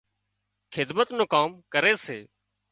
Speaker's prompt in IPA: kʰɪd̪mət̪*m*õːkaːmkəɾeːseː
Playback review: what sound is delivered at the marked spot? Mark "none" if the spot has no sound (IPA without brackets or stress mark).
n